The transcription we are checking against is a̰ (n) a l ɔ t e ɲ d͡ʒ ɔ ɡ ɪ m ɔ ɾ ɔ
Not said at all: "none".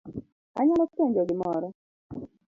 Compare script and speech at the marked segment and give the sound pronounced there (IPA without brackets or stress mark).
ɲ